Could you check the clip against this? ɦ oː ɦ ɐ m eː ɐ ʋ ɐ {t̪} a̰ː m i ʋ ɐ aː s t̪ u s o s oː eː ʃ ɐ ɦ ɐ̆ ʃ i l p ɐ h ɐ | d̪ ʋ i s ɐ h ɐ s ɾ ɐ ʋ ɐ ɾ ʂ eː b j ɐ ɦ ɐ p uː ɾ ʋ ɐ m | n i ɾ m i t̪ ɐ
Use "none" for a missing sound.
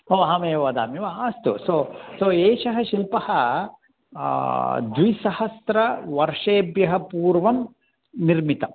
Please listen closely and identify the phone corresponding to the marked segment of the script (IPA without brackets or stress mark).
d̪